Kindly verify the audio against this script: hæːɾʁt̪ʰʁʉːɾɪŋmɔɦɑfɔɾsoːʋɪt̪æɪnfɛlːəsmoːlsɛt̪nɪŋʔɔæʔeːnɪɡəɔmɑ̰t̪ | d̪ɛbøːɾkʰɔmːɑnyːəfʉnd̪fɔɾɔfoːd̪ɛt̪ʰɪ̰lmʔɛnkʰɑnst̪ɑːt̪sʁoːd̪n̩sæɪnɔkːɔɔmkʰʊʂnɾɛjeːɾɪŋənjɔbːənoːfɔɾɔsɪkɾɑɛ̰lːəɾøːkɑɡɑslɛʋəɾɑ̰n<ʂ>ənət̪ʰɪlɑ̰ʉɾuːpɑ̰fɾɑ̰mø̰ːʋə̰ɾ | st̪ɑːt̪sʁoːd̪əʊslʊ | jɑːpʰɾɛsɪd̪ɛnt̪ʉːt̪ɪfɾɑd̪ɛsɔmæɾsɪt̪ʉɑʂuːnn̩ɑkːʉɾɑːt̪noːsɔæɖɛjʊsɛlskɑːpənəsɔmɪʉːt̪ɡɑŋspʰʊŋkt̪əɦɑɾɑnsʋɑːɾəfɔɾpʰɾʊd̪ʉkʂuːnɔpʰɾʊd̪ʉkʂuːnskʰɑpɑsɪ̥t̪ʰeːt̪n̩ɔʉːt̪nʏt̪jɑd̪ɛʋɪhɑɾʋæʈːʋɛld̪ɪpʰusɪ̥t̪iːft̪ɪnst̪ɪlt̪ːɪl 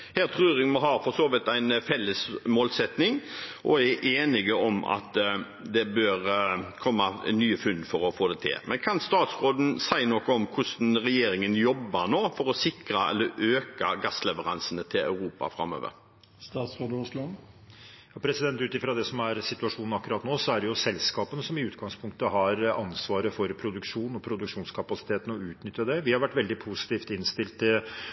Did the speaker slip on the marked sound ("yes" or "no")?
yes